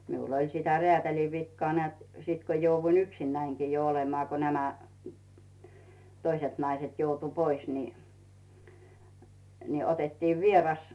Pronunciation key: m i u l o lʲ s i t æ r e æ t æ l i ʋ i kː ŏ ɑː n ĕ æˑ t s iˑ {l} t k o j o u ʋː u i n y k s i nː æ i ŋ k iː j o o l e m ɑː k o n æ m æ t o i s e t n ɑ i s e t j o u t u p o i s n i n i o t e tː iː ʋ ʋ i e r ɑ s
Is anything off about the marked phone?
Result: yes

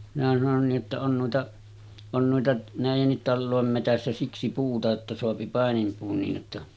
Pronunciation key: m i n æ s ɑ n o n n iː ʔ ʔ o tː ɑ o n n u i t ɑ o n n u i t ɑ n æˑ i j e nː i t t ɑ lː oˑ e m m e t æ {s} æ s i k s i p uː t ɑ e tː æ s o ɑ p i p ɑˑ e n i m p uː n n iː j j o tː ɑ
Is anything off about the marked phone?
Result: yes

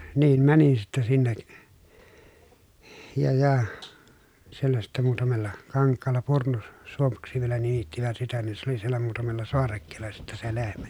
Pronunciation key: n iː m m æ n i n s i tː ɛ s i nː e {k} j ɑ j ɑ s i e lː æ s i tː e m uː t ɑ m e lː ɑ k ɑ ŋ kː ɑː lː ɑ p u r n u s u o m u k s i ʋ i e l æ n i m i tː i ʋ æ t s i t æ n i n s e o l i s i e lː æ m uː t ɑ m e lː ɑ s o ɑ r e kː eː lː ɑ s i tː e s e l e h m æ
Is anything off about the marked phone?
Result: no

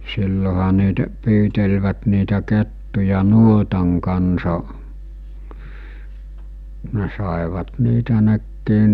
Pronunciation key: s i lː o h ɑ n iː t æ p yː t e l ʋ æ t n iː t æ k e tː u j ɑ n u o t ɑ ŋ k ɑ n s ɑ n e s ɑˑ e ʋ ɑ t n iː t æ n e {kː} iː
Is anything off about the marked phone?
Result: no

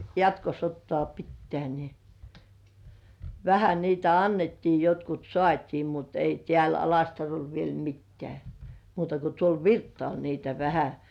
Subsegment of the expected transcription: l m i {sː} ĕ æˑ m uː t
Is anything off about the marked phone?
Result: yes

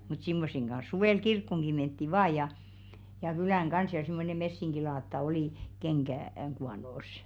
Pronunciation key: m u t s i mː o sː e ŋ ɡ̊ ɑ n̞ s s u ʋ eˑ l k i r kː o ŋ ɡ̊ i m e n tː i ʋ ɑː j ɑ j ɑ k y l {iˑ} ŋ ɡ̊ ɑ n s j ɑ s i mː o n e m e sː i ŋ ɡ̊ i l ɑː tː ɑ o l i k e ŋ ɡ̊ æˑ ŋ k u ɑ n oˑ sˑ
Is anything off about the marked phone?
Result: yes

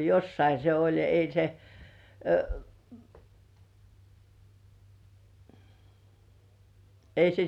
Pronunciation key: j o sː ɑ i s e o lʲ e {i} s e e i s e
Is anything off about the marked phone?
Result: no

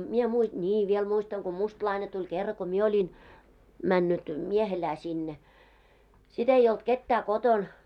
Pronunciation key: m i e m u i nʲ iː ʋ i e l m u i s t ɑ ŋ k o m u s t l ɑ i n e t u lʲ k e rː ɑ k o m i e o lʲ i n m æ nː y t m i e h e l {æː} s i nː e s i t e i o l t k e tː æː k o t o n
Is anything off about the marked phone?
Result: no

